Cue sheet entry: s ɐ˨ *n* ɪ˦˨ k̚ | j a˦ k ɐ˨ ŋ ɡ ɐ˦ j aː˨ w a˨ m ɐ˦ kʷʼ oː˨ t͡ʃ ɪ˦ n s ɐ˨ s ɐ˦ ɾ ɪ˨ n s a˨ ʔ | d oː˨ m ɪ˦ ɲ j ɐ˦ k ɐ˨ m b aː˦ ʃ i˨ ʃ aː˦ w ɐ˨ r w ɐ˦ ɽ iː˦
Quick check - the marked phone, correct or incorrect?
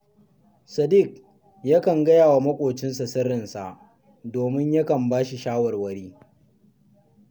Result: incorrect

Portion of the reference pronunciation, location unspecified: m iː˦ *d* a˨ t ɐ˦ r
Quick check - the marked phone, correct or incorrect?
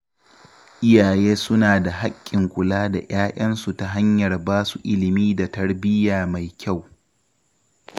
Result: correct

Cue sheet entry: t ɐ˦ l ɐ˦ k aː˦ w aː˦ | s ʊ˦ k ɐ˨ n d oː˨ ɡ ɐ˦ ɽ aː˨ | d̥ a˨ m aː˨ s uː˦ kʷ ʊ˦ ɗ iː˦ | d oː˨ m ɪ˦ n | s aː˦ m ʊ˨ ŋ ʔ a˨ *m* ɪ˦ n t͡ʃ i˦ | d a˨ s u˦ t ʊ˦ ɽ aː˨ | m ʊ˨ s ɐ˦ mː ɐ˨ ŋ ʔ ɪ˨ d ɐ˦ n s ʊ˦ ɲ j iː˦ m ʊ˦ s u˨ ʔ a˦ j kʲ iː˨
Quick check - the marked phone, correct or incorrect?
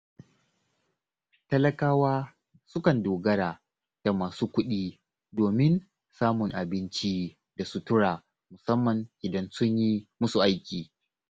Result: incorrect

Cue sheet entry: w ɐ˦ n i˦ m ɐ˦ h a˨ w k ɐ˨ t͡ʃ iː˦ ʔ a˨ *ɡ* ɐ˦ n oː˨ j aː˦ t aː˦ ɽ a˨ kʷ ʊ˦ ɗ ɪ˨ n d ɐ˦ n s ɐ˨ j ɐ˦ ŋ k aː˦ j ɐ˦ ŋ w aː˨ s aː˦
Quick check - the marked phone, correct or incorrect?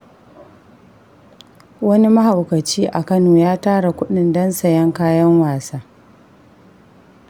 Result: incorrect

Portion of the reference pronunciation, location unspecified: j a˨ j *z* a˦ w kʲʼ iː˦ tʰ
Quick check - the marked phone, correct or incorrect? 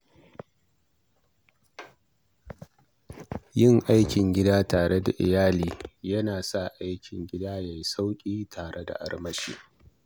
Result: incorrect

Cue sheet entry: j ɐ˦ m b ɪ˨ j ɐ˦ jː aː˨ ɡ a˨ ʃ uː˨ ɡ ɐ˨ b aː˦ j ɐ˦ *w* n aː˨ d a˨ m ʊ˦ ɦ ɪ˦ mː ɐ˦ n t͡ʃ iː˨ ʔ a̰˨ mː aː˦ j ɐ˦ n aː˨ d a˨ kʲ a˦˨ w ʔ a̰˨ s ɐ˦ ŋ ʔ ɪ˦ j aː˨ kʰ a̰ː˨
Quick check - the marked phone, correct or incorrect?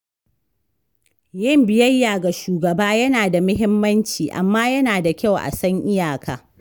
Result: incorrect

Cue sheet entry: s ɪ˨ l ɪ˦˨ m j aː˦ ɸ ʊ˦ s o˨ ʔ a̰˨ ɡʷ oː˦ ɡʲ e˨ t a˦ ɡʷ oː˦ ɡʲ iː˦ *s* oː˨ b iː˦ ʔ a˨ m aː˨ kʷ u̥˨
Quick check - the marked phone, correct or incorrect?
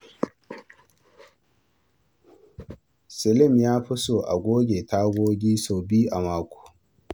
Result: correct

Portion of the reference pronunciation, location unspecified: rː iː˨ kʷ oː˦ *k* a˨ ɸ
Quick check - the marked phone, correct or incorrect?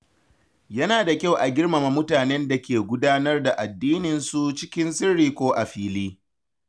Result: incorrect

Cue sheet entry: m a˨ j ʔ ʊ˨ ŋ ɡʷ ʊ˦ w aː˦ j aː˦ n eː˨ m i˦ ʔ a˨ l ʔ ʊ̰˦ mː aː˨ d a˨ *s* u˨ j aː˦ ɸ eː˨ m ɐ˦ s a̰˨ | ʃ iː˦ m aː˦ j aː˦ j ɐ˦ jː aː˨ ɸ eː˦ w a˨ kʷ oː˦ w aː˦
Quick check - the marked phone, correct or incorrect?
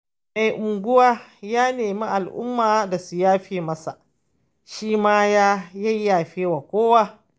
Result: correct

